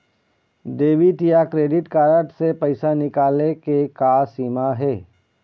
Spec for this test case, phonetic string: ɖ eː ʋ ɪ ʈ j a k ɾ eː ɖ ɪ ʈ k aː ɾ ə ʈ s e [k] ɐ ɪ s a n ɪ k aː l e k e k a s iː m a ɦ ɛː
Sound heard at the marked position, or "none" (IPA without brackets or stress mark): p